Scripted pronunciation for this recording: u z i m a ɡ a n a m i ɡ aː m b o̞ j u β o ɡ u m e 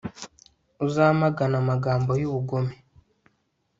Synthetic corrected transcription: u z a m a ɡ a n a m a ɡ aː m b o̞ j u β u ɡ o m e